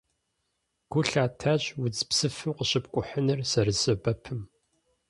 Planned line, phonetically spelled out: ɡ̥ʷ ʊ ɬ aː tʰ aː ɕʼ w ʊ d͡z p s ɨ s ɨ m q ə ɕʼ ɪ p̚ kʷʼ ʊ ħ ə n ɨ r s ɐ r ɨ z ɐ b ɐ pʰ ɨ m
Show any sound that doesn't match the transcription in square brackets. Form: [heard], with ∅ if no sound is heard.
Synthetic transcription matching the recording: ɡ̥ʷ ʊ ɬ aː tʰ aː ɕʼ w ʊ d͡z p s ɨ [f] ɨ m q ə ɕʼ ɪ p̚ kʷʼ ʊ ħ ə n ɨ r s ɐ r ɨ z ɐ b ɐ pʰ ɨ m